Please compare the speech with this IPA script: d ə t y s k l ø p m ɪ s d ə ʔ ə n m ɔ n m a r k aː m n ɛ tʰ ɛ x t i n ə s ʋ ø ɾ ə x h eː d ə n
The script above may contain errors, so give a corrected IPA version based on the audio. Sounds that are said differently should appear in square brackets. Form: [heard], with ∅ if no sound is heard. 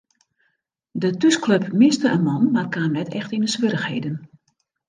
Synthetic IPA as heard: d ə t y s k l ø p m ɪ s [t] ə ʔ ə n m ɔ n m a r k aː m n ɛ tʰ ɛ x t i n ə s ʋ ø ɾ ə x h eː d ə n

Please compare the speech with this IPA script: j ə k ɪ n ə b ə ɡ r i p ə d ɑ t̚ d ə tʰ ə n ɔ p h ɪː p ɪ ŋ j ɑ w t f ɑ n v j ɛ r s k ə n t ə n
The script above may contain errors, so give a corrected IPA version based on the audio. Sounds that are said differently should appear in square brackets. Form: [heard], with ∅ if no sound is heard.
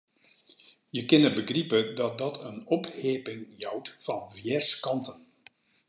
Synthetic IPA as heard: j ə k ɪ n ə b ə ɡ r i p ə d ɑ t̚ d [ɑ] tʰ ə n ɔ p h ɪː p ɪ ŋ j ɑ w t f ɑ n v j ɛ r s k [ɑ] n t ə n

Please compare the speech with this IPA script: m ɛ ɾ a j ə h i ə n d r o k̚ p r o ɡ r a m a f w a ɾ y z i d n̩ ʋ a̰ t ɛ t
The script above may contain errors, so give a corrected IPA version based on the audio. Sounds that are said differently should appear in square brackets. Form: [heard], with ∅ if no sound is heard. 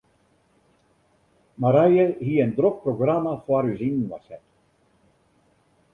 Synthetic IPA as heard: m [a] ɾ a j ə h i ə n d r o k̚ p r o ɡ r a m a f w a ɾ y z i [n] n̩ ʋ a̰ [s] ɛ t

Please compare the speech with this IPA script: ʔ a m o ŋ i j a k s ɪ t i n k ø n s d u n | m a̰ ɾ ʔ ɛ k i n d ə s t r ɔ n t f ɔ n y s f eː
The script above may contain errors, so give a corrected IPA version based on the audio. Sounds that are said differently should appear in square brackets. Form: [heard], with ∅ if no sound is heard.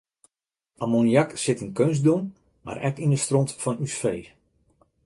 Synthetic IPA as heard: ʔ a m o [n] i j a k s ɪ t i n k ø n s d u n | m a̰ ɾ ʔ ɛ k i n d ə s t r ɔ n t f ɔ n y s f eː

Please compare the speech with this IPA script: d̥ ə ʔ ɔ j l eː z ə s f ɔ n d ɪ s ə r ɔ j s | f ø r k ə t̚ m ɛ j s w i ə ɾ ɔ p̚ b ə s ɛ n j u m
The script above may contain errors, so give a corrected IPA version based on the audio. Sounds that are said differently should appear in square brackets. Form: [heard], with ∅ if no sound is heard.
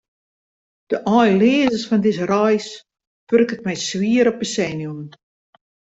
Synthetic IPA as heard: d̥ ə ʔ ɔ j l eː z ə s f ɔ n d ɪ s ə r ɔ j s | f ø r k ə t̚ m ɛ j s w i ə ɾ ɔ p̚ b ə s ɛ n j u m

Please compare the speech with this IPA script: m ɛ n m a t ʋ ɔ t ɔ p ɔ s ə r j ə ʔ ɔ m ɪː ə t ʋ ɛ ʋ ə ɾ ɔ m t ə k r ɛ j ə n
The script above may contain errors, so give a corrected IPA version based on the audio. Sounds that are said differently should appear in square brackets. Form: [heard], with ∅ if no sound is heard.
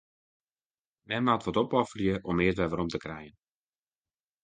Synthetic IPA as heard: m ɛ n m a t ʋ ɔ t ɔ p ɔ [f] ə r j ə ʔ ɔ m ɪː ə t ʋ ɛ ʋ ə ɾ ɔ m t ə k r ɛ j ə n

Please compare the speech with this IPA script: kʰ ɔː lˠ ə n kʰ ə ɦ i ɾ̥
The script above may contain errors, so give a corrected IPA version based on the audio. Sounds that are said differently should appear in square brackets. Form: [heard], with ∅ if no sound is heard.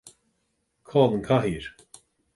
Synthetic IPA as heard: kʰ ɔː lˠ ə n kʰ [a] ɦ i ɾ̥

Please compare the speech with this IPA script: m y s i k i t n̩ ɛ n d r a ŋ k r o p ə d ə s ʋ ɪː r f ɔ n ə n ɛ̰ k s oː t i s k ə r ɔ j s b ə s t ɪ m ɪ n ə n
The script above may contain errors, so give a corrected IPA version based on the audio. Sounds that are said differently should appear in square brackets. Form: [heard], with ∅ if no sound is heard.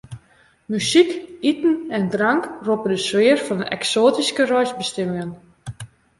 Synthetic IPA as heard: m y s i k i t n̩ ɛ n d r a ŋ k r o p ə d ə s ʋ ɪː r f ɔ n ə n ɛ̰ k s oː t i s k ə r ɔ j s b ə s t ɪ m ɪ [ŋ] ə n

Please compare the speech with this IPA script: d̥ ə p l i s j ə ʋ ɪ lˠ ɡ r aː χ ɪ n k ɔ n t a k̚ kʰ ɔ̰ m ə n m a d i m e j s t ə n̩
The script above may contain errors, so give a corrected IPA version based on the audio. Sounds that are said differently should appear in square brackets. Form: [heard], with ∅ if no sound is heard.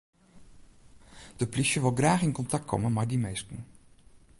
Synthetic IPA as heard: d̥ ə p l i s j ə ʋ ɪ lˠ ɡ r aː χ ɪ n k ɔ n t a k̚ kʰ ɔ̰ m ə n m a d i m e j s t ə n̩

